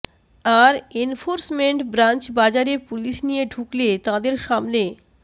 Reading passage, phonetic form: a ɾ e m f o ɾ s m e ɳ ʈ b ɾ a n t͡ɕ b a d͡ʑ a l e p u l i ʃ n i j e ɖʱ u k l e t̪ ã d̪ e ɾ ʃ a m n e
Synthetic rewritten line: a ɾ e n f o ɾ s m e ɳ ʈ b ɾ a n t͡ɕ b a d͡ʑ a ɾ e p u l i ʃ n i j e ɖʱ u k l e t̪ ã d̪ e ɾ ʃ a m n e

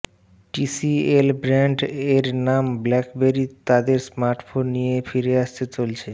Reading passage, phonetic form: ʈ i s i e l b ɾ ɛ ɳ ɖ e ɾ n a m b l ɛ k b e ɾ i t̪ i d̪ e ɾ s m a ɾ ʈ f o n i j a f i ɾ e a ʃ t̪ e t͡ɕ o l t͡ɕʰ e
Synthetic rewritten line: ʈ i s i e l b ɾ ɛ ɳ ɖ e ɾ n a m b l ɛ k b e ɾ i t̪ a d̪ e ɾ s m a ɾ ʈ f o nː i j e f i ɾ e a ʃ t̪ e t͡ɕ o l t͡ɕʰ e

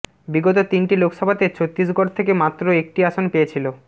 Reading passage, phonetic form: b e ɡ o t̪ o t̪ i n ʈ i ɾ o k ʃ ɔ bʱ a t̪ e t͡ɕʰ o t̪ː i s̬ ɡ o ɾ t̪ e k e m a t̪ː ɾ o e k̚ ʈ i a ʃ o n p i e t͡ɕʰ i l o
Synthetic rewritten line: b i ɡ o t̪ o t̪ i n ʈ i l o k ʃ ɔ bʱ a t̪ e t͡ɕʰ o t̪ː i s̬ ɡ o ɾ t̪ʰ e k e m a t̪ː ɾ o e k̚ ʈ i a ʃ o n p e e t͡ɕʰ i l o

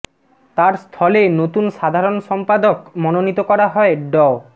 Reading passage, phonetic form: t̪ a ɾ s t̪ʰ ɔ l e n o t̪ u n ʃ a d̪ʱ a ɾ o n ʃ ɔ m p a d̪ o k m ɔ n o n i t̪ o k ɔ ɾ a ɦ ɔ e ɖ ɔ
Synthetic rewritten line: t̪ a ɾ s t̪ʰ ɔ l e n o t̪ u n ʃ a d̪ʱ a ɾ o n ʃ ɔ m p a d̪ o k m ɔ n o n i t̪ o k ɔ ɾ a ɦ ɔ e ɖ ɔ

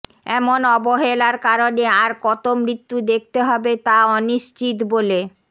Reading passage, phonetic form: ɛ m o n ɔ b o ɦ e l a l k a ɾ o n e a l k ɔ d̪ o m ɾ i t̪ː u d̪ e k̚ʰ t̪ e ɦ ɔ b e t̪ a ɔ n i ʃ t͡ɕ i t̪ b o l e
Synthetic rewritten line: ɛ m o n ɔ b o ɦ e l a ɾ k a ɾ o n e a ɾ k ɔ t̪ o m ɾ i t̪ː u d̪ e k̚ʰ t̪ e ɦ ɔ b e t̪ a ɔ n i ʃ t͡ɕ i t̪ b o l e

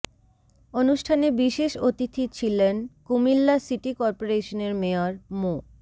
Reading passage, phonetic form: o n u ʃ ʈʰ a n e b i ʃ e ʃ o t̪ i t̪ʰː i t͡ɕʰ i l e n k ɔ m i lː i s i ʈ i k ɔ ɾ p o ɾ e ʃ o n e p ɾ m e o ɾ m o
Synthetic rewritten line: o n u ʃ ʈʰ a n e b i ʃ e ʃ o t̪ i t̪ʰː i t͡ɕʰ i l e n k u m i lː a s i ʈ i k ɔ ɾ p o ɾ e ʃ o n e ɾ m e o ɾ m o

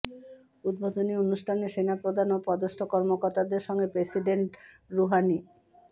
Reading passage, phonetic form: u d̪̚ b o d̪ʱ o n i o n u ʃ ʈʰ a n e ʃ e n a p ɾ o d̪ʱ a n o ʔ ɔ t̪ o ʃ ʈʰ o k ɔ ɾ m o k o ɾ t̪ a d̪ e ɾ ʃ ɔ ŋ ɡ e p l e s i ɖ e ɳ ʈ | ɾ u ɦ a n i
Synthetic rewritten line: u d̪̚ b o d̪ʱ o n i o n u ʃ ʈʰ a n e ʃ e n a p ɾ o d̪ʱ a n o p ɔ d̪ o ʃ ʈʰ o k ɔ ɾ m o k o ɾ t̪ a d̪ e ɾ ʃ ɔ ŋ ɡ e p ɾ e s i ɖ e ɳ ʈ | ɾ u ɦ a n i

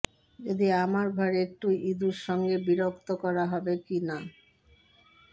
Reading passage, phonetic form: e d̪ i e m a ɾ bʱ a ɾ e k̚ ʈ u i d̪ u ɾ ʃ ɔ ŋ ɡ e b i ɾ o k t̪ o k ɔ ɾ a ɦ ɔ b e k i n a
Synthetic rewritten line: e d̪ i a m a ɾ bʱ a ɾ e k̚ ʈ u i d̪ u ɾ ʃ ɔ ŋ ɡ e b i ɾ o k t̪ o k ɔ ɾ a ɦ ɔ b e k i n a

